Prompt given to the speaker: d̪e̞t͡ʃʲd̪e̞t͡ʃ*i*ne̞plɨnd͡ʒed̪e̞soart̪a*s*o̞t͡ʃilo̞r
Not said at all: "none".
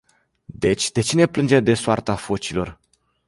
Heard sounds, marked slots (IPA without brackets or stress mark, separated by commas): i, f